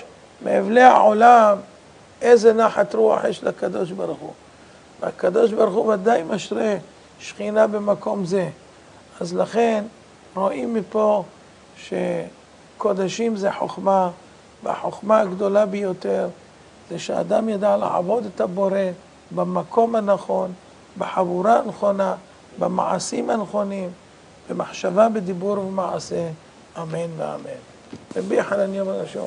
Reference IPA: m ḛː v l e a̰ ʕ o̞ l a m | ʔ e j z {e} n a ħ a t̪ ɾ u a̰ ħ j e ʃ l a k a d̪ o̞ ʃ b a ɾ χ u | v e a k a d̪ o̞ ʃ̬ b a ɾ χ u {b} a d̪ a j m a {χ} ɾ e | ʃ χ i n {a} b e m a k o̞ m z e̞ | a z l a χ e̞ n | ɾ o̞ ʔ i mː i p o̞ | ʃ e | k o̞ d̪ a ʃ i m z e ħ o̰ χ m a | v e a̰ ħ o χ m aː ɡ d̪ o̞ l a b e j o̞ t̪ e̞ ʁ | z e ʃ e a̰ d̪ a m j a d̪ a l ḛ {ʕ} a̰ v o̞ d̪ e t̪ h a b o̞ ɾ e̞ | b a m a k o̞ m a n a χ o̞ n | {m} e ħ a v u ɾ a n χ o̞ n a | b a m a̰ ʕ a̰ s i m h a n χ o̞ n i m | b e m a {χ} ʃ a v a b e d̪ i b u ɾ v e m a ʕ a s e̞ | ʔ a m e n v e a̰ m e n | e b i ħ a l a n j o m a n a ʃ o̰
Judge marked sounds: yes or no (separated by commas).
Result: yes, no, no, yes, yes, no, no